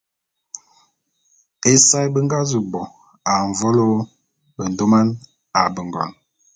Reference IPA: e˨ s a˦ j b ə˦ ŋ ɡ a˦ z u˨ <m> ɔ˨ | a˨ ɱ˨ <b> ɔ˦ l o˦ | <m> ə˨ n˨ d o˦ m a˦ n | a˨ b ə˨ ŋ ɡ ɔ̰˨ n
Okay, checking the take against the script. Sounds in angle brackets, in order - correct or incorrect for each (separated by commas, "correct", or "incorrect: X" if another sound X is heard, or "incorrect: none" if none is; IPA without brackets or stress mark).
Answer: incorrect: b, incorrect: v, incorrect: b